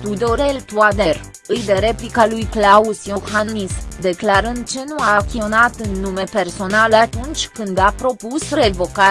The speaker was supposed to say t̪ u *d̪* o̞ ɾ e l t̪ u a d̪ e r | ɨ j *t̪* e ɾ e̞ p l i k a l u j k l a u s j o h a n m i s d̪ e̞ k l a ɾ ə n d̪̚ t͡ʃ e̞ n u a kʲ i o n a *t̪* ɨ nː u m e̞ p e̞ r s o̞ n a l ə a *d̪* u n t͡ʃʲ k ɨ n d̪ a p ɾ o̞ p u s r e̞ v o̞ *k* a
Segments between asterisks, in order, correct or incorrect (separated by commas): correct, incorrect, correct, incorrect, correct